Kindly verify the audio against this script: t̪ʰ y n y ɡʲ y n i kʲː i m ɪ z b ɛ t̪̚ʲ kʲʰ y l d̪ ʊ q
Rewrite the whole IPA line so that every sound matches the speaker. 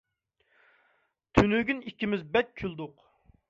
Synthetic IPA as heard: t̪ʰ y n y ɡʲ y n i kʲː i m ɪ z b ɛ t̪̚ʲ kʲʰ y l d̪ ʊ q